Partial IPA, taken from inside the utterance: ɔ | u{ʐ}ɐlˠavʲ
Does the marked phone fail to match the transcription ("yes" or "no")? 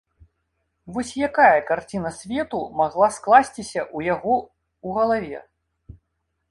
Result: yes